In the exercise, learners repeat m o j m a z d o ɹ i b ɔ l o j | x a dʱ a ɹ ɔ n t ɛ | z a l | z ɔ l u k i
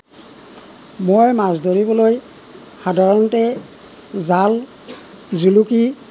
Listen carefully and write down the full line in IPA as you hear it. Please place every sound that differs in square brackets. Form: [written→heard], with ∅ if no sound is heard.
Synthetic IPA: m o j m a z d o ɹ i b ɔ l o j | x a dʱ a ɹ ɔ n t ɛ | z a l | z [ɔ→u] l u k i